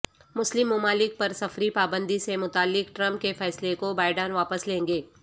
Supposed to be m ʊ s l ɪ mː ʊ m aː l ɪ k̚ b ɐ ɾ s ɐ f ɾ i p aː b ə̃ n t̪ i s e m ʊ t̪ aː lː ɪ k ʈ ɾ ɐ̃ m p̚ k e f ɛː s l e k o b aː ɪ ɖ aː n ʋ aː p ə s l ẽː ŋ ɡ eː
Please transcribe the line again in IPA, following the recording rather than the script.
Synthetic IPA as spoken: m ʊ s l ɪ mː ʊ m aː l ɪ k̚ p ɐ ɾ s ɐ f ɾ i p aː b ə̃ n d̪ i s e m ʊ t̪ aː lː ɪ k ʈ ɾ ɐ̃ m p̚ k e f ɛː s l e k o b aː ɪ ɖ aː n ʋ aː p ə s l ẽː ŋ ɡ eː